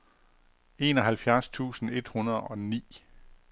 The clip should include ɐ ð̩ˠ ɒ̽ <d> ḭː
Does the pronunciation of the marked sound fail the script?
yes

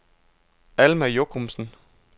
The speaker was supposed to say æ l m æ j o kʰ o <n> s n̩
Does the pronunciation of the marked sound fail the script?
yes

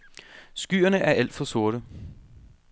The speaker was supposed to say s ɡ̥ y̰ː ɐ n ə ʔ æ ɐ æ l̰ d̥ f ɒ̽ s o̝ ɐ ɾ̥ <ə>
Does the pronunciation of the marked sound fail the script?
no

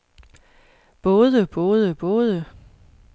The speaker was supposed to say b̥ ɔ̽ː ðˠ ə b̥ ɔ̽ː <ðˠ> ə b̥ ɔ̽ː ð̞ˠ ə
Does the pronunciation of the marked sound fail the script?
no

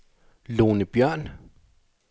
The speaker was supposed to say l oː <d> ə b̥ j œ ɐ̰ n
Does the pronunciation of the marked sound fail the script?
yes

